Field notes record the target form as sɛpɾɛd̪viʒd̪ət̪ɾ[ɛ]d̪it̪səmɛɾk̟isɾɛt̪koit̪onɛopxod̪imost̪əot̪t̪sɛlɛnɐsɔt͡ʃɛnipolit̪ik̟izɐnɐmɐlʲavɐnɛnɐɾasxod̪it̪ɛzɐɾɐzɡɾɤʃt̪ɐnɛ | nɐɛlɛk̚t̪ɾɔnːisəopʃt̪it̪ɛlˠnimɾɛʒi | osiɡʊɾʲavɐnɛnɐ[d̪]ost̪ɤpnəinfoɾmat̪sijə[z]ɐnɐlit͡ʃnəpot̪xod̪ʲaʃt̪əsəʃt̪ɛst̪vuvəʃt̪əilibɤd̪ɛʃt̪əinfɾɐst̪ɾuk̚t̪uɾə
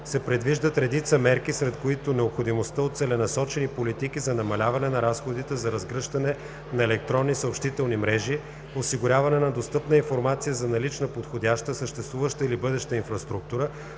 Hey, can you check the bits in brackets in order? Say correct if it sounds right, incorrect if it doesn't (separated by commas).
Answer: correct, correct, correct